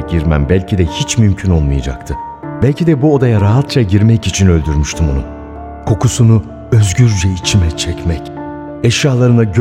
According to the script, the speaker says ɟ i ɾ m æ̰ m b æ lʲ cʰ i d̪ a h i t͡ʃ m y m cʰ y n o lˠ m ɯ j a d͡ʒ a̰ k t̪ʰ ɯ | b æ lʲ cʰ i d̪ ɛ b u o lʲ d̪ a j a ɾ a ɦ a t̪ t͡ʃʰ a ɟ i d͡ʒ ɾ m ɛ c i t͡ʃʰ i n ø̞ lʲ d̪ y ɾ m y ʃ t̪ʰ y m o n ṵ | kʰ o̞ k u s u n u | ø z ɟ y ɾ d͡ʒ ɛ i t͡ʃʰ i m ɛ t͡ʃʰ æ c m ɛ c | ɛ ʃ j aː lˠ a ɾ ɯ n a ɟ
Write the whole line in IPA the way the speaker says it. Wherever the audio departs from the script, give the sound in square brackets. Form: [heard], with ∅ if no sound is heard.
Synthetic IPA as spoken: ɟ i ɾ m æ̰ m b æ lʲ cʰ i d̪ [ɛ] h i t͡ʃ m y m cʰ y n o lˠ m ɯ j a d͡ʒ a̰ k t̪ʰ ɯ | b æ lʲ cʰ i d̪ ɛ b u o [∅] d̪ a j a ɾ a ɦ a t̪ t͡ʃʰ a ɟ i [∅] ɾ m ɛ c i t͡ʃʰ i n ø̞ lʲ d̪ y ɾ m y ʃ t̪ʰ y m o n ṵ | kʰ o̞ k u s u n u | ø z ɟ y ɾ d͡ʒ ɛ i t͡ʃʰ i m ɛ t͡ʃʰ [ɛ] c m ɛ c | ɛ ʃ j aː lˠ a ɾ ɯ n a ɟ